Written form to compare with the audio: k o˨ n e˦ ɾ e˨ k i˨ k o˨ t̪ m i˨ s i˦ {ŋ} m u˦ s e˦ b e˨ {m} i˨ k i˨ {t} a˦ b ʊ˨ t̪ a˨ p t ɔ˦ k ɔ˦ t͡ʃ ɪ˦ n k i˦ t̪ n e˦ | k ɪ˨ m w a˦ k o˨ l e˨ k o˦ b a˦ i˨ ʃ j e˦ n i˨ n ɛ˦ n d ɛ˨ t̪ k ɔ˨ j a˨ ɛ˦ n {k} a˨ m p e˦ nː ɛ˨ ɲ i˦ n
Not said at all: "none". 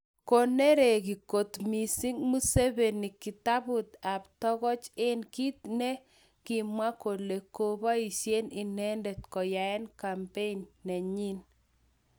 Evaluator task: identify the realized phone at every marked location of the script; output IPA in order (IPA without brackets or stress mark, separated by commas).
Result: ŋ, n, t, k